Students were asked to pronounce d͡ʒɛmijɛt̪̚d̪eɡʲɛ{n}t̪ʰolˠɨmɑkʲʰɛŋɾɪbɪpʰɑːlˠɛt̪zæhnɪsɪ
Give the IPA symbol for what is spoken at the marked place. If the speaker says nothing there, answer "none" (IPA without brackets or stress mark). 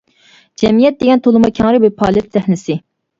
n